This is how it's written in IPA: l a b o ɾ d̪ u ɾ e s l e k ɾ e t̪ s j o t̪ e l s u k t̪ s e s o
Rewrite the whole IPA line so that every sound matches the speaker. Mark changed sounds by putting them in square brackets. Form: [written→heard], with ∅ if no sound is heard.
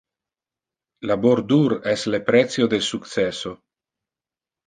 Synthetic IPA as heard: l a b o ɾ d̪ u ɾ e s l e [k→p] ɾ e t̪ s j o [t̪→d̪] e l s u k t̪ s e s o